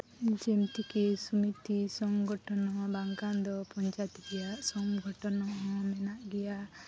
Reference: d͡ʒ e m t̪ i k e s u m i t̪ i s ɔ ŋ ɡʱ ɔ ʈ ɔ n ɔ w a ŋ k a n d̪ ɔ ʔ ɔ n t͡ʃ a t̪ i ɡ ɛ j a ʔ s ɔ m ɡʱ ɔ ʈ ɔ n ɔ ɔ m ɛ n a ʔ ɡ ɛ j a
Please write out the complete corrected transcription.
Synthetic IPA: d͡ʒ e m t̪ i k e s u m i t̪ i s ɔ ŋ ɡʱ ɔ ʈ ɔ n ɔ b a ŋ k a n d̪ ɔ p ɔ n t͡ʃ a t̪ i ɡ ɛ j a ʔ s ɔ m ɡʱ ɔ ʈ ɔ n ɔ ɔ m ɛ n a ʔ ɡ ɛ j a